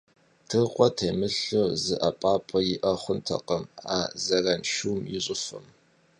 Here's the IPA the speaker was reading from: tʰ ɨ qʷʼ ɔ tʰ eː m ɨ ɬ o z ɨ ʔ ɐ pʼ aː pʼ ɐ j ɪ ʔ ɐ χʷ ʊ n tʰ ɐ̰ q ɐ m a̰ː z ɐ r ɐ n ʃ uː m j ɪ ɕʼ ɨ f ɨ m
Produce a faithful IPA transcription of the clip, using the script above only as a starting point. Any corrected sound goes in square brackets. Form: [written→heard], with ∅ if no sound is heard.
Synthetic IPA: tʰ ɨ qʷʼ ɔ tʰ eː m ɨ ɬ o z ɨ ʔ ɐ pʼ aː pʼ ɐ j ɪ ʔ ɐ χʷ ʊ n tʰ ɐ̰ q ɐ m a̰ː z ɐ r ɐ n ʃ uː m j ɪ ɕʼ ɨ f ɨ m